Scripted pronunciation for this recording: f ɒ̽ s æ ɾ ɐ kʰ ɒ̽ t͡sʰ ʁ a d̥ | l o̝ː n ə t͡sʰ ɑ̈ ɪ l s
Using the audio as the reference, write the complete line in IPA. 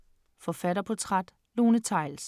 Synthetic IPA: f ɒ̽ f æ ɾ ɐ pʰ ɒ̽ t͡sʰ ʁ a d̥ | l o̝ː n ə t͡sʰ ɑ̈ ɪ l s

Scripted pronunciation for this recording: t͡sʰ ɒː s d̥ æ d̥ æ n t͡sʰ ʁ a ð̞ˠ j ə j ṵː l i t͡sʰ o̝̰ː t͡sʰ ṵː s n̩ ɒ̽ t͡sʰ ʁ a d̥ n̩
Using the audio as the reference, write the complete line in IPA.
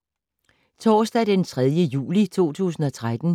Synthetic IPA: t͡sʰ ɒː s d̥ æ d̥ e n t͡sʰ ʁ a ð̞ˠ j ə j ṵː l i t͡sʰ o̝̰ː t͡sʰ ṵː s n̩ ɒ̽ t͡sʰ ʁ a d̥ n̩

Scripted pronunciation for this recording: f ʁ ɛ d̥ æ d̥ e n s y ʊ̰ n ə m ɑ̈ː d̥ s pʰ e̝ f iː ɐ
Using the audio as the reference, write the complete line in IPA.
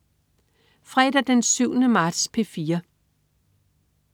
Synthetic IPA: f ʁ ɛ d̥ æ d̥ e n s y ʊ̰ n ə m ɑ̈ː d̥ s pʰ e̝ f iː ɐ

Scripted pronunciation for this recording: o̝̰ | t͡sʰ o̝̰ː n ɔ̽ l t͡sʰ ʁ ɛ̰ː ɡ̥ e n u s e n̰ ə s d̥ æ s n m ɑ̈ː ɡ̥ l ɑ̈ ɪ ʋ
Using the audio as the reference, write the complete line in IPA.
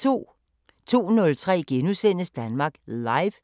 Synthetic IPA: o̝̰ | t͡sʰ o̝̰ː n ɔ̽ l t͡sʰ ʁ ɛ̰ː ɡ̥ e n u s e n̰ ə s d̥ æ n m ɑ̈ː ɡ̥ l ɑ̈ ɪ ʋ

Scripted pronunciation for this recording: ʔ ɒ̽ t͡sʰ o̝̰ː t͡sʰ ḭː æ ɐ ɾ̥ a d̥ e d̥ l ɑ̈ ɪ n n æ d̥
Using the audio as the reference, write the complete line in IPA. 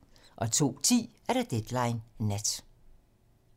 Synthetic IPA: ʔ ɒ̽ t͡sʰ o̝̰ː t͡sʰ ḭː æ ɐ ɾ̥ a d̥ e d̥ l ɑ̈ ɪ n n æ d̥

